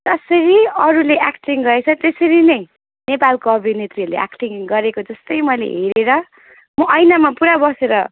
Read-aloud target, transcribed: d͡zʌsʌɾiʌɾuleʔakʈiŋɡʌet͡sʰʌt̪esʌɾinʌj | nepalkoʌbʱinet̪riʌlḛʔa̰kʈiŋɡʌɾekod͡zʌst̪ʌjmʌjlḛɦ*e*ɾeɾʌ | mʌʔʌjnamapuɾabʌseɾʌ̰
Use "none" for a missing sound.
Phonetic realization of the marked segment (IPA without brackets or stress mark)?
e